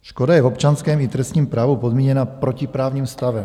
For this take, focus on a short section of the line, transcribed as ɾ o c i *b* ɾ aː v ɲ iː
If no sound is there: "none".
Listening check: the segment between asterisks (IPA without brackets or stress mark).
p